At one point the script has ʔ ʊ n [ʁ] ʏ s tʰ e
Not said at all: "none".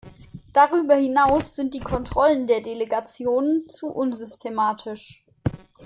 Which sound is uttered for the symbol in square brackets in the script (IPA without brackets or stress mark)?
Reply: z